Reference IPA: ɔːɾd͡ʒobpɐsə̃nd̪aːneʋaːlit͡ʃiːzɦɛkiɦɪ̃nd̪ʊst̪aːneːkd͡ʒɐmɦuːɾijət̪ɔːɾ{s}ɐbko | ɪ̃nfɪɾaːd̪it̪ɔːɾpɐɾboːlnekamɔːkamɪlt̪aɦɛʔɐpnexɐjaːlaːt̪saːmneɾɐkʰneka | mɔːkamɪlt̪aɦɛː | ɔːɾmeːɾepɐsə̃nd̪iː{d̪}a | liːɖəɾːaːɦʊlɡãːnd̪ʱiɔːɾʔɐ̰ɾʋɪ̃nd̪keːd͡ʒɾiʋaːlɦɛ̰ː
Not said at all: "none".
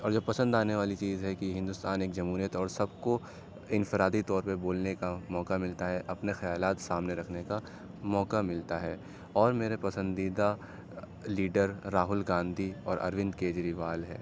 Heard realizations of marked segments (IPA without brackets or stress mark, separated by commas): s, d̪